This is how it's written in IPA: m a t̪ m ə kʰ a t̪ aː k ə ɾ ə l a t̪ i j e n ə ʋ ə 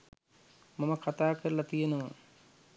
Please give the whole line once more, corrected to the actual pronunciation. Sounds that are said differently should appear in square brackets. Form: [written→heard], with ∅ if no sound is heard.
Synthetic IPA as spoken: m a [t̪→∅] m ə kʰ a t̪ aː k ə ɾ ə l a t̪ i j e n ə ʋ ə

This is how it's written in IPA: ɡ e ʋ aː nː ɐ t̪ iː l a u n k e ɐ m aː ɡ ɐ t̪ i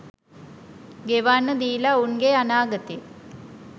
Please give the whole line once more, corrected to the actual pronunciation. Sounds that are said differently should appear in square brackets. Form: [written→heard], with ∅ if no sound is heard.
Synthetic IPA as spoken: ɡ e ʋ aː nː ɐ [t̪→d̪] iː l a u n [k→ɡ] e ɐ [m→n] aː ɡ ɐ t̪ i

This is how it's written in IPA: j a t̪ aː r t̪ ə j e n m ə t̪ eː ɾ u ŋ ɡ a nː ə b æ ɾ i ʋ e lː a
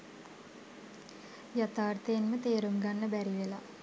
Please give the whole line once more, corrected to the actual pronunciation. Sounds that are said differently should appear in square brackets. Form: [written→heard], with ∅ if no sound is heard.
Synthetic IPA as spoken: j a t̪ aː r t̪ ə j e n m ə t̪ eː ɾ u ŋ ɡ a nː ə b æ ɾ i ʋ e [lː→l] a

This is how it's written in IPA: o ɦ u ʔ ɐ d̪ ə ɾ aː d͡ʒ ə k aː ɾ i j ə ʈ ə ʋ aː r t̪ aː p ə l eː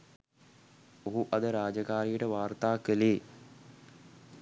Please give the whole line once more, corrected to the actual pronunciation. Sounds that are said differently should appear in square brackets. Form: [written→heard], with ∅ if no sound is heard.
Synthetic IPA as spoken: o ɦ u ʔ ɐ d̪ ə ɾ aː d͡ʒ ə k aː ɾ i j ə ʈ ə ʋ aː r t̪ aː [p→k] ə l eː

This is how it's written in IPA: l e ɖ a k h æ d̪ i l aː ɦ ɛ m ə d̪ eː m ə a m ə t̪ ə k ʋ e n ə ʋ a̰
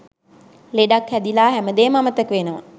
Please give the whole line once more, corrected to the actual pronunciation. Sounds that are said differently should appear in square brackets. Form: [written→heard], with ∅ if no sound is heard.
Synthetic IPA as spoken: l e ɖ a k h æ d̪ i l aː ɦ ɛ m ə d̪ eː m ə a m ə t̪ ə k ʋ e n ə ʋ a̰

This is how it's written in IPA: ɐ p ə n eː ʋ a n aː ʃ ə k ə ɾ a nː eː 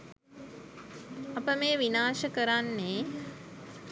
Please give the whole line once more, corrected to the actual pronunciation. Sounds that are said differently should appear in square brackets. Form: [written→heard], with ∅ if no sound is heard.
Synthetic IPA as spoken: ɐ p ə [n→m] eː ʋ [a→i] n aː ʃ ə k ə ɾ a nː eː

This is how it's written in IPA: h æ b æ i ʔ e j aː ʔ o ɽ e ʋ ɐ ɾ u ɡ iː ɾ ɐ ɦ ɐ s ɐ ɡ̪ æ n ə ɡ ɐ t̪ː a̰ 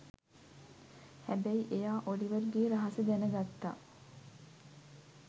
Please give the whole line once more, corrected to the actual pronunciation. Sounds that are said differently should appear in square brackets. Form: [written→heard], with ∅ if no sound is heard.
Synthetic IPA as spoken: h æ b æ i ʔ e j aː ʔ o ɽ [e→i] ʋ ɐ ɾ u ɡ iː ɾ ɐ ɦ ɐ s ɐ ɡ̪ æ n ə ɡ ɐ t̪ː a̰

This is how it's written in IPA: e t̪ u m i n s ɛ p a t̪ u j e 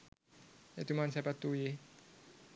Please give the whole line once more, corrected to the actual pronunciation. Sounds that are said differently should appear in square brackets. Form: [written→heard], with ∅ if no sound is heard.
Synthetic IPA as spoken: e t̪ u m [i→a] n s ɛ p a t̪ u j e

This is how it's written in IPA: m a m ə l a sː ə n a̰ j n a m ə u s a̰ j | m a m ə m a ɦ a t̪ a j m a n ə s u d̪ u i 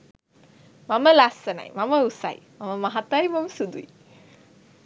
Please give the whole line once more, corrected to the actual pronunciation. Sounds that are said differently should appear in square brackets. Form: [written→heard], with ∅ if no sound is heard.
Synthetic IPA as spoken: m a m ə l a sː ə n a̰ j [n→m] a m ə u s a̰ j | m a m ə m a ɦ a t̪ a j m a [n→m] ə s u d̪ u i

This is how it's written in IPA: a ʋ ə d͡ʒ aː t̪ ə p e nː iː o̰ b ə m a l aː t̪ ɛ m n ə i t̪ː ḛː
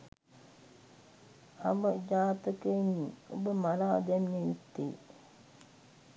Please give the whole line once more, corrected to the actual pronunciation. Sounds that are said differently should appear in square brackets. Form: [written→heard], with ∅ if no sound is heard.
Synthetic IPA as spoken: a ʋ ə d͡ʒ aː t̪ ə [p→k] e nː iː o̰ b ə m a l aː [t̪→d̪] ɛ m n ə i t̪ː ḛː

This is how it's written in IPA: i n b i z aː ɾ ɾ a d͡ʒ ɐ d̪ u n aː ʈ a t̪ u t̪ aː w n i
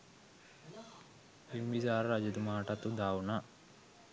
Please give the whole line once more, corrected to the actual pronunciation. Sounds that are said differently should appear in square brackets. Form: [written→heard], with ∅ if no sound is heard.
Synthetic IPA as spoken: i [n→m] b i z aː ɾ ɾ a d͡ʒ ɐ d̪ u [n→m] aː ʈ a t̪ u [t̪→d̪] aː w n [i→a]

